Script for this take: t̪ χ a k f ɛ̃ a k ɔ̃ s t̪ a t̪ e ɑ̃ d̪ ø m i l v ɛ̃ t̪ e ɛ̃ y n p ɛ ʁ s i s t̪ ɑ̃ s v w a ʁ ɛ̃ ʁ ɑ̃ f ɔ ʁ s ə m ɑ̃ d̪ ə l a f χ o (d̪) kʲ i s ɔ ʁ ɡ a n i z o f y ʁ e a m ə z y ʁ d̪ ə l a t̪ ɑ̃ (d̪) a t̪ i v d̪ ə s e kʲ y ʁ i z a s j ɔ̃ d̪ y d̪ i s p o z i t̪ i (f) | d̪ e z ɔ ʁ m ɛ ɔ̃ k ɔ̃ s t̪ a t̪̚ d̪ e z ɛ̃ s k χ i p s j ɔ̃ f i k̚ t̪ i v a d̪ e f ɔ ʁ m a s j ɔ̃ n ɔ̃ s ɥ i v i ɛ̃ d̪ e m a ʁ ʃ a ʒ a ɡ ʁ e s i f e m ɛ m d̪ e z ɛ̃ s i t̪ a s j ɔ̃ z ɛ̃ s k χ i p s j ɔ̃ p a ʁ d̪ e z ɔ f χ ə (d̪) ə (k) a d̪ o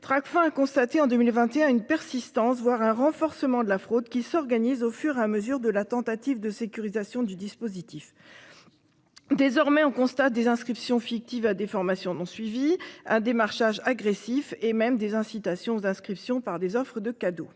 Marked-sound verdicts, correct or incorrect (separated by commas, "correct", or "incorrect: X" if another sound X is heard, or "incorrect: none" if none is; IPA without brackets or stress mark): correct, incorrect: t̪, correct, correct, correct